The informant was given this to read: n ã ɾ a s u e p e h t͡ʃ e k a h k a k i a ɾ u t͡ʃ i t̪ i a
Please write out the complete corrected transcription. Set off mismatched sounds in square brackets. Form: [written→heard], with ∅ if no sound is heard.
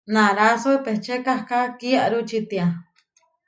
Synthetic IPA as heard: n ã ɾ a s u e p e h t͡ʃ e k a h k a k i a ɾ u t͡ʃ i t̪ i a